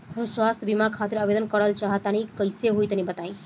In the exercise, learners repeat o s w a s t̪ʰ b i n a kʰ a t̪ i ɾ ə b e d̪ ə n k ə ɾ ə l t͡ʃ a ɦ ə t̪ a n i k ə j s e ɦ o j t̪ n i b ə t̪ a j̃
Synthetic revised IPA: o s w a s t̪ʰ b i m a kʰ a t̪ i ɾ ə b e d̪ ə n k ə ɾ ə l t͡ʃ a ɦ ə t̪ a n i k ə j s e ɦ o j t̪ n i b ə t̪ a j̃